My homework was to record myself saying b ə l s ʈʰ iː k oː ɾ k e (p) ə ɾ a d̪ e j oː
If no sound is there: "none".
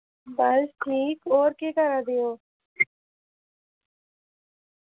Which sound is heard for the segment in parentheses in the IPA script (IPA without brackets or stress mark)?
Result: k